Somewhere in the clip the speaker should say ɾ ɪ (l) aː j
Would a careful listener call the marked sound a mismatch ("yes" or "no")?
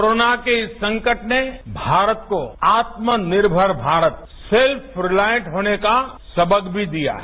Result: no